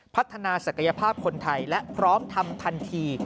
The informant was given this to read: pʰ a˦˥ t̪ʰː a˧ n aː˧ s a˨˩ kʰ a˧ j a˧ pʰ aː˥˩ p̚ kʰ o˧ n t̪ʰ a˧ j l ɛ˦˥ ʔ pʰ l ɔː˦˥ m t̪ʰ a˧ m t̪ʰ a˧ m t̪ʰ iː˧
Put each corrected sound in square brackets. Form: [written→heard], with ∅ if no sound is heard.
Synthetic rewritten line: pʰ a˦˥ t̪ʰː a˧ n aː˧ s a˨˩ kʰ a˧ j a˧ pʰ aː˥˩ p̚ kʰ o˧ n t̪ʰ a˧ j l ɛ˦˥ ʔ pʰ [l→ɾ] ɔː˦˥ m t̪ʰ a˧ m t̪ʰ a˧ [m→n] t̪ʰ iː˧